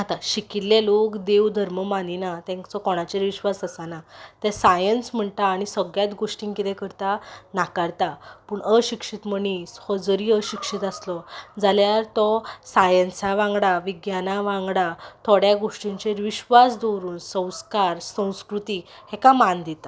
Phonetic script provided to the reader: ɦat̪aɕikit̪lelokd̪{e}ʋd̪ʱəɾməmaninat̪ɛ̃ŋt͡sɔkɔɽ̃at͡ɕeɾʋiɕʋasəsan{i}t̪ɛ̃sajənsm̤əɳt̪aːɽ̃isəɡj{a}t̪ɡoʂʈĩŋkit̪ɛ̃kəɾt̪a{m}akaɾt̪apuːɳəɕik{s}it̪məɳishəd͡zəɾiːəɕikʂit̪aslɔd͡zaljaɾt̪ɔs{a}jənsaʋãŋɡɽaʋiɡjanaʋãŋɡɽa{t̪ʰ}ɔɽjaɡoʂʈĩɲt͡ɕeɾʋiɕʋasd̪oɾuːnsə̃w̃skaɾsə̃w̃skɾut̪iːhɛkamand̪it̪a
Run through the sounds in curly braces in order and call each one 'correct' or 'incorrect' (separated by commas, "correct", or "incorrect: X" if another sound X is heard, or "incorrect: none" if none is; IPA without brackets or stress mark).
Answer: correct, incorrect: a, correct, incorrect: n, incorrect: ʂ, correct, correct